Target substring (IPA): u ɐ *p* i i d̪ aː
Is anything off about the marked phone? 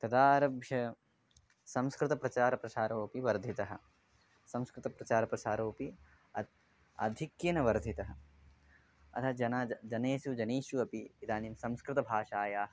no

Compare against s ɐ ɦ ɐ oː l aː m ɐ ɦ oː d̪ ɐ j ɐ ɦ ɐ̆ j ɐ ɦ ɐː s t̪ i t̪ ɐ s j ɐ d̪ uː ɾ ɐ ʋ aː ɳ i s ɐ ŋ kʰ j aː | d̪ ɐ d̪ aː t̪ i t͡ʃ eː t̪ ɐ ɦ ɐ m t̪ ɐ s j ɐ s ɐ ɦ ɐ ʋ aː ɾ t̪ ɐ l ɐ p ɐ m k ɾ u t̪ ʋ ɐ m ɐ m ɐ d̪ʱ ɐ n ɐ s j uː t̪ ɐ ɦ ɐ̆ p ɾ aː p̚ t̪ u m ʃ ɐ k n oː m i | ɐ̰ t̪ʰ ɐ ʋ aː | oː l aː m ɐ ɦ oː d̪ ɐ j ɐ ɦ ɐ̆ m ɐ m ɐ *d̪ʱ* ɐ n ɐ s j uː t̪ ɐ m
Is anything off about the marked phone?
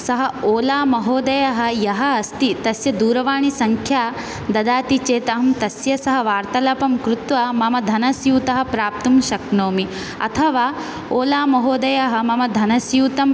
no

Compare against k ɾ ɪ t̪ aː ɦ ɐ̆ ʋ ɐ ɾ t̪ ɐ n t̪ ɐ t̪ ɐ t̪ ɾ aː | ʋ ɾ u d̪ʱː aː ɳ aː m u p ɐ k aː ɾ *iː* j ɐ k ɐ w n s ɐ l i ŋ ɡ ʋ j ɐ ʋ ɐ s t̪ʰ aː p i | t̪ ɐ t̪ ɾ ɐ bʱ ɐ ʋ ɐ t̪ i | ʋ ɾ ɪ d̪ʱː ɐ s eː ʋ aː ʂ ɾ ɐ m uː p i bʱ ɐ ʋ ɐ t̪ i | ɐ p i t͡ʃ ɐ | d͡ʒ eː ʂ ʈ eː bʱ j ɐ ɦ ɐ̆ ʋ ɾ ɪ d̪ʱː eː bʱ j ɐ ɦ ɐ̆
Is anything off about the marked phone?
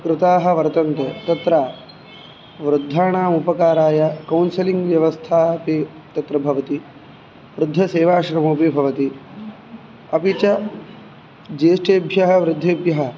yes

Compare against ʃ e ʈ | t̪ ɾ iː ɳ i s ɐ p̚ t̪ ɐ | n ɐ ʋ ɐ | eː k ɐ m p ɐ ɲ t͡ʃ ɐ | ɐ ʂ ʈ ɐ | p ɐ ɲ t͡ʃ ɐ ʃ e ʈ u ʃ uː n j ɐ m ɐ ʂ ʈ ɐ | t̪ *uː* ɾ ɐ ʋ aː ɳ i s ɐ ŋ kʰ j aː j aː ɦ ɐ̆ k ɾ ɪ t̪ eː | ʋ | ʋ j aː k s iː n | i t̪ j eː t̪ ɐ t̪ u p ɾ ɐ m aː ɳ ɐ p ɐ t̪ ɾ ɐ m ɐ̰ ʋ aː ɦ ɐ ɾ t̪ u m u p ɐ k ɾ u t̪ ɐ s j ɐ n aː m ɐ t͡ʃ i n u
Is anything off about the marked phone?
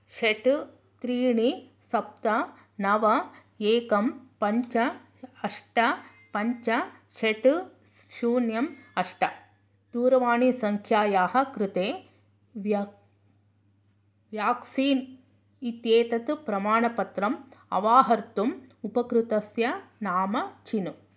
no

